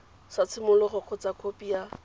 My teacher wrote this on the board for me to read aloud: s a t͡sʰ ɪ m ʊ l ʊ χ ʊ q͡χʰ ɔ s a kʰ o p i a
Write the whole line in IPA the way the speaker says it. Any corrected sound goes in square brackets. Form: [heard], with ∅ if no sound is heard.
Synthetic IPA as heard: s a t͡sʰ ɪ m ʊ l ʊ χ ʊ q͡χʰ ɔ [t͡s] a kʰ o p i a

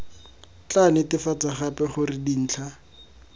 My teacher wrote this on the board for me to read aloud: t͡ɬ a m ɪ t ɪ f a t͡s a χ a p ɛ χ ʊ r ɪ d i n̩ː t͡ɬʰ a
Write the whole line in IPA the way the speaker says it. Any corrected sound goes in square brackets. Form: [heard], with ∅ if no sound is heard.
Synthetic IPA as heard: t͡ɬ a [n] ɪ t ɪ f a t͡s a χ a p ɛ χ ʊ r ɪ d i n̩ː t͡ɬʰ a

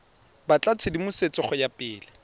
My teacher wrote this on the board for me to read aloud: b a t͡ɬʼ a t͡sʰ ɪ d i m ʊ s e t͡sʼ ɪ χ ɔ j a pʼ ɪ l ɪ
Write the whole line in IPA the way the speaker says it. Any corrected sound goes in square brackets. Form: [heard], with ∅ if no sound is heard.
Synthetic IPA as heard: b a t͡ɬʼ a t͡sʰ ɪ d i m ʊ s e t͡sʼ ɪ χ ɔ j a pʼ [ɪː] l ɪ

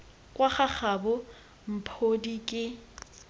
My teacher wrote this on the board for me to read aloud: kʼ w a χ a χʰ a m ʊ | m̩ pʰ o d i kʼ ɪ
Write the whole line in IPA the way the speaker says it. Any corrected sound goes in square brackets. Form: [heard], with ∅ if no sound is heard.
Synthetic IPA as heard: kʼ w a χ a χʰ a [b] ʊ | m̩ pʰ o d i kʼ ɪ

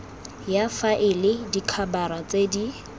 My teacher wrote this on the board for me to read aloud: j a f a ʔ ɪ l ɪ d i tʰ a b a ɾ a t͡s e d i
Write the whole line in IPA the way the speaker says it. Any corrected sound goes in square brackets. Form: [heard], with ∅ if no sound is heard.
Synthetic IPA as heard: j a f a ʔ ɪ l ɪ d i [kʰ] a b a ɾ a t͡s e d i

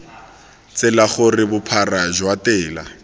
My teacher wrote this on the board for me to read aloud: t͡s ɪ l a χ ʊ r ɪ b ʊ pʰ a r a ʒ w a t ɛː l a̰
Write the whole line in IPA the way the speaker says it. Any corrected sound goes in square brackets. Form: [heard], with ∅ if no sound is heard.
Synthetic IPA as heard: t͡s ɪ l a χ ʊ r ɪ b ʊ pʰ a r a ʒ w a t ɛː l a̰

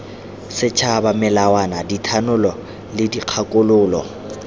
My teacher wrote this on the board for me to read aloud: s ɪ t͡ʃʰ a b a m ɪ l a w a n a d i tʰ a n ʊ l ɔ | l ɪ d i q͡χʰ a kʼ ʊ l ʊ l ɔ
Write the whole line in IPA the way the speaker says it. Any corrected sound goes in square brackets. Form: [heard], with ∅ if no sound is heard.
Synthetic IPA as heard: s ɪ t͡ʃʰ a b a m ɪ l a w a n a d i tʰ a n ʊ l ɔ | l ɪ d i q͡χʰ a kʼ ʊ l [ʊː] l ɔ

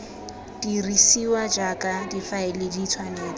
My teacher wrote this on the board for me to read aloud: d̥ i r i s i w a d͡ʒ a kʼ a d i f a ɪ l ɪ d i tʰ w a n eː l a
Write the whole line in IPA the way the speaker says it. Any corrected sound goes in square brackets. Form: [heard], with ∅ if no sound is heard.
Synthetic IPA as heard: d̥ i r i s i w a d͡ʒ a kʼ a d i f a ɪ l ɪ d i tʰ w a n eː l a

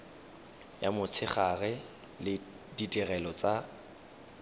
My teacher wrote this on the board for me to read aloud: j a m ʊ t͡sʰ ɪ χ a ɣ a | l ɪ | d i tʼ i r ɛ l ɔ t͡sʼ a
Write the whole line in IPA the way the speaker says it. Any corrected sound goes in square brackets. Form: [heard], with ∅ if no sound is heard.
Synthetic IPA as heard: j a m ʊ t͡sʰ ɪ χ a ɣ [ɛ] | l ɪ | d i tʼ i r ɛ l ɔ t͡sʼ a

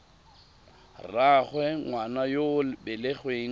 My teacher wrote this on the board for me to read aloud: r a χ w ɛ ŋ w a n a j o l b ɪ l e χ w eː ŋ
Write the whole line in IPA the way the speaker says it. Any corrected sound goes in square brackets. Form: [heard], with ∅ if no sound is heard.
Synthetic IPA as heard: r a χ w ɛ ŋ w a n a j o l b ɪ l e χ w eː ŋ

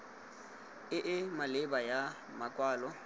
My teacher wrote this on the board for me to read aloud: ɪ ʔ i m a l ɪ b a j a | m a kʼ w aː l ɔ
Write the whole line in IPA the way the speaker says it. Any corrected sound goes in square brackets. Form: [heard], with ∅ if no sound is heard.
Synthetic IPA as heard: ɪ ʔ [ɪ] m a l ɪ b a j a | m a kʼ w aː l ɔ

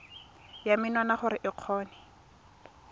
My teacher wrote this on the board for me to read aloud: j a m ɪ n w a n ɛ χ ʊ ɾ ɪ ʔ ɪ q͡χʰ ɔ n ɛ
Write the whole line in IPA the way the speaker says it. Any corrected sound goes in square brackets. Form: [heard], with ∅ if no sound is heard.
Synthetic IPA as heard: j a m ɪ n w a n [a] χ ʊ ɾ ɪ ʔ ɪ q͡χʰ [ɔː] n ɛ

